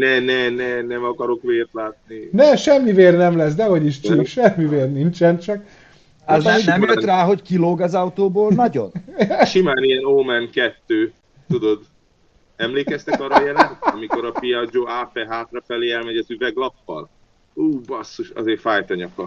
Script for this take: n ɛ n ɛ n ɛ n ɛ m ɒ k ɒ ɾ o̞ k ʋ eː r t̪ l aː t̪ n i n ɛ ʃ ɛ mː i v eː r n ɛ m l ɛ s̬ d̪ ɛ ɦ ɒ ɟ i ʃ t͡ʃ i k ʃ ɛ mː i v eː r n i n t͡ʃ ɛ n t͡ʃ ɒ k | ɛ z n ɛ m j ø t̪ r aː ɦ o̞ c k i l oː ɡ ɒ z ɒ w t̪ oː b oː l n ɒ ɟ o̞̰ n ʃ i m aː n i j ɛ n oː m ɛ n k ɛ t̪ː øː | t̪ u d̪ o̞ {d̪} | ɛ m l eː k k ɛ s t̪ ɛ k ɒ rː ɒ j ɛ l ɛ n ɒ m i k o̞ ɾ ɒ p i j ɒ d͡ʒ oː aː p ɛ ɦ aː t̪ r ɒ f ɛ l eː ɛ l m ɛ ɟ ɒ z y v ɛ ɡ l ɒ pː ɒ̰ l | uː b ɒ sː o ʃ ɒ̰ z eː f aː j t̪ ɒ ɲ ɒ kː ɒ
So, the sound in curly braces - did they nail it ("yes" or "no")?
yes